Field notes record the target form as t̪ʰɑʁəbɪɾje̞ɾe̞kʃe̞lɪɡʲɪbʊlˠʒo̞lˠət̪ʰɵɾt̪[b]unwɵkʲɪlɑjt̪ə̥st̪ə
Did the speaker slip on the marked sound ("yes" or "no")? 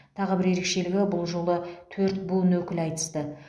no